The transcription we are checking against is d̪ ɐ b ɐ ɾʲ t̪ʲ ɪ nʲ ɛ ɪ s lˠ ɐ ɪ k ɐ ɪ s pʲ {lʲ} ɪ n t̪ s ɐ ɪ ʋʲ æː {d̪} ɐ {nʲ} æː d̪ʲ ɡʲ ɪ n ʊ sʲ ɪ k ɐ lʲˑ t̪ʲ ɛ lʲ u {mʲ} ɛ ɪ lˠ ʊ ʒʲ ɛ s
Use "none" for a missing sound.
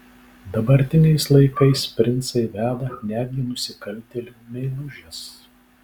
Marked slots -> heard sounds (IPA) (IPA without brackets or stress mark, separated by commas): ɾʲ, d̪, nʲ, mʲ